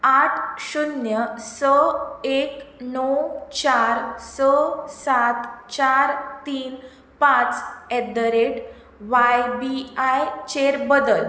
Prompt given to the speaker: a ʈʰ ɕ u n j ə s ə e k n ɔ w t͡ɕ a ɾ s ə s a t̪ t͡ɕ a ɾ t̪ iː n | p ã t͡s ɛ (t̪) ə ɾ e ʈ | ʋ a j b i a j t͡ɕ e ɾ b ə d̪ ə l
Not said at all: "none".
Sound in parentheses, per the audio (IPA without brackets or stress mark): d̪